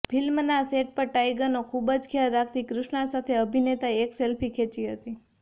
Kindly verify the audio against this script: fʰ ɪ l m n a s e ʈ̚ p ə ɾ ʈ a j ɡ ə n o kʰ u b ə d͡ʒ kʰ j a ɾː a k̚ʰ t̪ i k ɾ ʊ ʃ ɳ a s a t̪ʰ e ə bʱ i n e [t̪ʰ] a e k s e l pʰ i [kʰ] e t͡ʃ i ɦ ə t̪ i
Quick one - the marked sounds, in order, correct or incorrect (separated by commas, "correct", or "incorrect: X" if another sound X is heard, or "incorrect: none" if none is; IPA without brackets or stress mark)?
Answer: incorrect: t̪, correct